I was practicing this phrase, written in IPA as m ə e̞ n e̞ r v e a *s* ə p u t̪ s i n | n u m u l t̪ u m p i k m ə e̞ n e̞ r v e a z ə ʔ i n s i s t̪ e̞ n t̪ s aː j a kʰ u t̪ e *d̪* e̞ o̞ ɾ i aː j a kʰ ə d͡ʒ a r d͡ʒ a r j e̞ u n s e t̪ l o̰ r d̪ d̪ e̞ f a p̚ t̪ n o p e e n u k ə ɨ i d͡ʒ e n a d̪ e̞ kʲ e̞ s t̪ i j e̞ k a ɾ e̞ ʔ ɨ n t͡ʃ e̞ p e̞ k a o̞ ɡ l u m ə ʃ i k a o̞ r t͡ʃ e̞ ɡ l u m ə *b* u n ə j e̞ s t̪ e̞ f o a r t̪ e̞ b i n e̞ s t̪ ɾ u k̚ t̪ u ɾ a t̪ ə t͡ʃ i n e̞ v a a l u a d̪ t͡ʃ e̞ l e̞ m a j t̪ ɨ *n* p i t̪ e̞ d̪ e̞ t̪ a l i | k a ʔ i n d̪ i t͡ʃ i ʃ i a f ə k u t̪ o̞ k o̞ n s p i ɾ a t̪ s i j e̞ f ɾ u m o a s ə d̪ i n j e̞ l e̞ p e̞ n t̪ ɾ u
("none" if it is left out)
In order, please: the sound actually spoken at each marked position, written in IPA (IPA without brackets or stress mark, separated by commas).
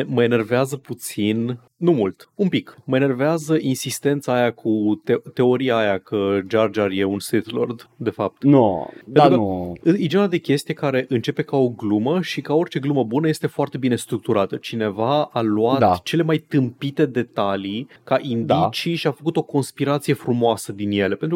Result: z, t̪, b, m